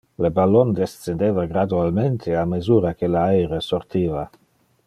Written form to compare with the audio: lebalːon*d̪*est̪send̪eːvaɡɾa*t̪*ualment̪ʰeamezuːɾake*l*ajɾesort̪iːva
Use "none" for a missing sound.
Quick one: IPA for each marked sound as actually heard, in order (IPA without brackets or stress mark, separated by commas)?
d̪, d̪, l